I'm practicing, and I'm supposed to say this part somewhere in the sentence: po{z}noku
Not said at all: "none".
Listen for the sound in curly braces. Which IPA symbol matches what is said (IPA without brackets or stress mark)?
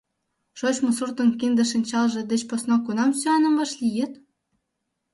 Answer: s